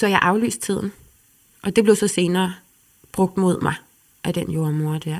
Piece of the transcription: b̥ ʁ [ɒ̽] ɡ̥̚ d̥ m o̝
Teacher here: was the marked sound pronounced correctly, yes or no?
no